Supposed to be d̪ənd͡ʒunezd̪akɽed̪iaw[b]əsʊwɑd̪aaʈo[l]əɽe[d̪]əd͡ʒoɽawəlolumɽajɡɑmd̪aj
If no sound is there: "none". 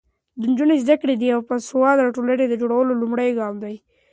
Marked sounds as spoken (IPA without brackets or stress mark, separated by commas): p, l, d̪